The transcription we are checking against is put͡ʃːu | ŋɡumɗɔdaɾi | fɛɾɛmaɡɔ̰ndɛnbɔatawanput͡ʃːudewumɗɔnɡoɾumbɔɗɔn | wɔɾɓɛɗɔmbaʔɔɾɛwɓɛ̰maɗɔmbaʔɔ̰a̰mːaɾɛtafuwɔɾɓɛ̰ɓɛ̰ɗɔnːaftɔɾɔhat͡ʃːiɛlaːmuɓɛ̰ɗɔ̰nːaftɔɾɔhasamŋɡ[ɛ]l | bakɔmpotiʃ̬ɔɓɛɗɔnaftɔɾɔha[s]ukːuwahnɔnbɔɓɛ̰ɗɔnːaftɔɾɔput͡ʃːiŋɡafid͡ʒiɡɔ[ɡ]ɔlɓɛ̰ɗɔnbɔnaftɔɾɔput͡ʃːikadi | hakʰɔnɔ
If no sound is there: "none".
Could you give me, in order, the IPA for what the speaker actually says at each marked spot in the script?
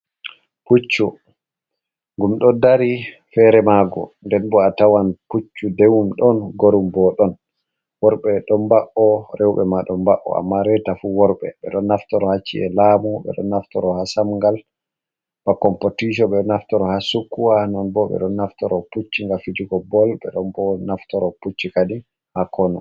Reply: a, s, b

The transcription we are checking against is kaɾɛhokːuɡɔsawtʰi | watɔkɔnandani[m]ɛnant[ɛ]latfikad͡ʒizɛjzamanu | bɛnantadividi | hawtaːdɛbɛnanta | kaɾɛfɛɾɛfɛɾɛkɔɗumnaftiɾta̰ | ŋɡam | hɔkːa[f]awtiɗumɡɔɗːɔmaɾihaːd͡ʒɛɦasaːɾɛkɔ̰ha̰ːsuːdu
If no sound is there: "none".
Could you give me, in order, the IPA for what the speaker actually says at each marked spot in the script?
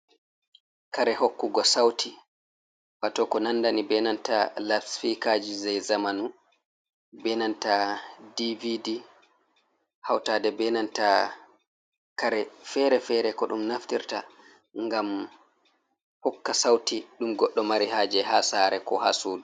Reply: b, a, s

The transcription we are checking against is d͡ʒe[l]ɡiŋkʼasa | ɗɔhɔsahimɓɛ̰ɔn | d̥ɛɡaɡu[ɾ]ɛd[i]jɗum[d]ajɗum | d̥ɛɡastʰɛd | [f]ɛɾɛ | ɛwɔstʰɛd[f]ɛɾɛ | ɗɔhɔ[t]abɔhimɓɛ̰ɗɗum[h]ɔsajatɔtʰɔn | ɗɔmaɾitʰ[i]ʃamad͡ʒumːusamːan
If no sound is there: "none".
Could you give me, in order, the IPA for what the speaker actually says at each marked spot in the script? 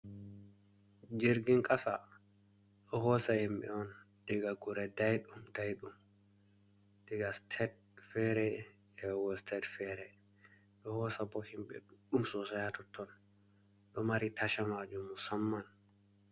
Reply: ɾ, ɾ, a, d, f, f, s, s, a

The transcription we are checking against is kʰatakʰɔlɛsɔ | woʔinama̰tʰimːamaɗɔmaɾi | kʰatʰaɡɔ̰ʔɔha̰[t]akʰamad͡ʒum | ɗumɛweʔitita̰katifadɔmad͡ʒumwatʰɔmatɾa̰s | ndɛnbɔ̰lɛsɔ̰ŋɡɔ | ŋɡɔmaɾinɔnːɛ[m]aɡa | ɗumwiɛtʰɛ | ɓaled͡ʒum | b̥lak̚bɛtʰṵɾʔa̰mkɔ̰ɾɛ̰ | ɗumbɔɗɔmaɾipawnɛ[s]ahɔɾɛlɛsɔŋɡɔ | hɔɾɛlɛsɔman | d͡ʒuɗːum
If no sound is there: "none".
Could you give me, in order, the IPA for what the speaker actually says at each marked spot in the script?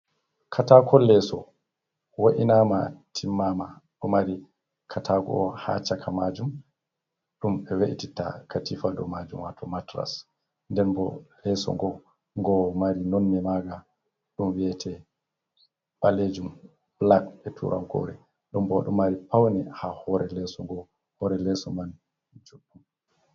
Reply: t͡ʃ, m, h

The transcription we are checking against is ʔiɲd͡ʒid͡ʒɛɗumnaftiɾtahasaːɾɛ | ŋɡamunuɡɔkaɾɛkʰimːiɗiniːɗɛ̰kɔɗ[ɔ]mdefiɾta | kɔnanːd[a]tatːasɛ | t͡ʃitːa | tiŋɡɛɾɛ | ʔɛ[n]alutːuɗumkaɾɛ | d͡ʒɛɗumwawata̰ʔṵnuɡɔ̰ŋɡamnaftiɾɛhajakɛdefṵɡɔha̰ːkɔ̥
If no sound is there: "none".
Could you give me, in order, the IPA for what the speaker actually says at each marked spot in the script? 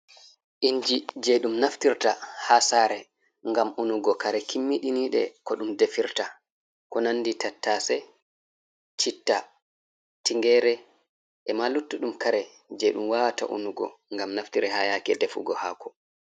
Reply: u, i, m

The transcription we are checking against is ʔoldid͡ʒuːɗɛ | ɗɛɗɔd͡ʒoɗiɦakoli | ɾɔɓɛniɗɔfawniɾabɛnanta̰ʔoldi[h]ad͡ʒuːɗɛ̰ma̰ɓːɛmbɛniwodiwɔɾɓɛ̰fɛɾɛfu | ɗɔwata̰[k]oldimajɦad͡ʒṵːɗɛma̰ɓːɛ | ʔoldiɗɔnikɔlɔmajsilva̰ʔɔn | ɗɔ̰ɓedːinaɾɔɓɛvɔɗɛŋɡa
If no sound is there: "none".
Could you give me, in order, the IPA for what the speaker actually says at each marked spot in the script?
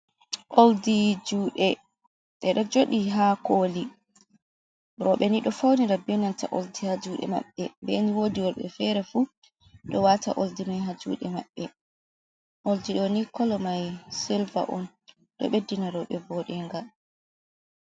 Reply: h, ʔ

